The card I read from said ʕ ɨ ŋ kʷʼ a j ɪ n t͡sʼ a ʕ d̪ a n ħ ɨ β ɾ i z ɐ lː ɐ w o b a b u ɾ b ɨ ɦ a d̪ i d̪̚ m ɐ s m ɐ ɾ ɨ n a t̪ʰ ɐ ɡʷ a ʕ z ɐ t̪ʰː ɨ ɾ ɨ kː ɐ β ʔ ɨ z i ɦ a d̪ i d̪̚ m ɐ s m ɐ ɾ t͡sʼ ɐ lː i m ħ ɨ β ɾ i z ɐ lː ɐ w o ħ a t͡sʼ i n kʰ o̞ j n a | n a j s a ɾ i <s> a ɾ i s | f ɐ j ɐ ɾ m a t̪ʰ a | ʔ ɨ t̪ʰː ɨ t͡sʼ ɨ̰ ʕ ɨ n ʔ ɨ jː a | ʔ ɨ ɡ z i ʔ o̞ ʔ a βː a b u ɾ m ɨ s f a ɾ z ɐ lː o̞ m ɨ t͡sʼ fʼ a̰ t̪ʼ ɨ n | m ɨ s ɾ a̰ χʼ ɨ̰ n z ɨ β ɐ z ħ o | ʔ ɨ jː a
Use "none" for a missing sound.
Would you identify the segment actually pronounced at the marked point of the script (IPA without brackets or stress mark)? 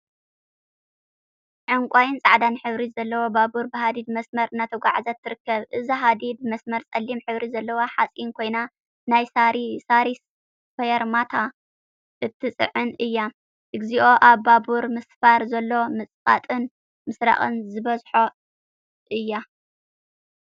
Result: s